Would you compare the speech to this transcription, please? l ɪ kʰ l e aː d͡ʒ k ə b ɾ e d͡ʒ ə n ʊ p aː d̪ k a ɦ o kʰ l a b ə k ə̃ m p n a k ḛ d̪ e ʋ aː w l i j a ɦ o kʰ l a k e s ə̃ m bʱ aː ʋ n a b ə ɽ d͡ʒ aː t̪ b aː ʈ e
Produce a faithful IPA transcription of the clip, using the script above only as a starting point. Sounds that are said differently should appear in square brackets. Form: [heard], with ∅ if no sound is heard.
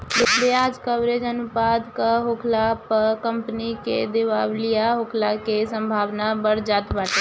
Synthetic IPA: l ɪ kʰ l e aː d͡ʒ k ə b ɾ e d͡ʒ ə n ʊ p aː d̪ k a ɦ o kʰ l a [p] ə k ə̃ m p n [i] k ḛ d̪ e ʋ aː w l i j a ɦ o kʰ l a k e s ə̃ m bʱ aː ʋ n a b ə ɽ d͡ʒ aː t̪ b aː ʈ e